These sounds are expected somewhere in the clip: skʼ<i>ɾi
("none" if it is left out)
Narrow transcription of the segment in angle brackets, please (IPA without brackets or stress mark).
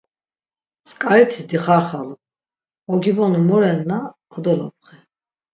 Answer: a